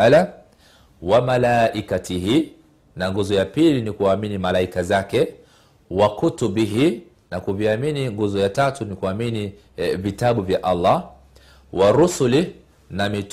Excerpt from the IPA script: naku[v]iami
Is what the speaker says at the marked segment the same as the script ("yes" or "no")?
yes